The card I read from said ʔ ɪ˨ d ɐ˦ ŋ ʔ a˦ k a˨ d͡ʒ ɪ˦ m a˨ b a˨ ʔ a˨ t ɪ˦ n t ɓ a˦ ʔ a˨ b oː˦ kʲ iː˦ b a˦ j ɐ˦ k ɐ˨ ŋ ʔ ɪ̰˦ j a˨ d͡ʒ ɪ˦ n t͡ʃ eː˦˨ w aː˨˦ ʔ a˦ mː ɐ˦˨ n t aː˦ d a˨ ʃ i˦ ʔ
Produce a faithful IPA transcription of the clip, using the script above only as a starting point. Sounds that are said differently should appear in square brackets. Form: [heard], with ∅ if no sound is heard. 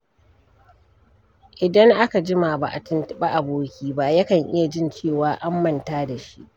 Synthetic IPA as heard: ʔ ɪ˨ d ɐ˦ ŋ ʔ a˦ k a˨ d͡ʒ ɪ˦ m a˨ b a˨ ʔ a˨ t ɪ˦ n t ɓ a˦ ʔ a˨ b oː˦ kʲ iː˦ b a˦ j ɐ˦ k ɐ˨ ŋ ʔ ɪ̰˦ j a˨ d͡ʒ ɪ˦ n t͡ʃ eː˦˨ w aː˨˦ ʔ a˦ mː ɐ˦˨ n t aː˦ d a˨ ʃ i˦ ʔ